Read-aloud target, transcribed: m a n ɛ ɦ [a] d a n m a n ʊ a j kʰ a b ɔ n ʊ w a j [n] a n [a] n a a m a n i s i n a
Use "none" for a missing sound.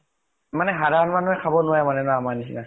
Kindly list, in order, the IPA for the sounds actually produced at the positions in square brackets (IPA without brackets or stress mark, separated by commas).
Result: a, m, ɛ